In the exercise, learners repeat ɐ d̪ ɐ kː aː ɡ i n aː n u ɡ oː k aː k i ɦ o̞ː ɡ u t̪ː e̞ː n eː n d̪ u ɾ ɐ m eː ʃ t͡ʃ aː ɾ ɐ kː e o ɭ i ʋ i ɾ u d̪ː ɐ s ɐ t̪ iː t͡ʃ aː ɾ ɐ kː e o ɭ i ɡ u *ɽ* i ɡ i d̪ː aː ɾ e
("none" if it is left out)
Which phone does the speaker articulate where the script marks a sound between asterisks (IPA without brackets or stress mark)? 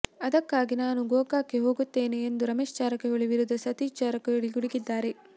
ɽ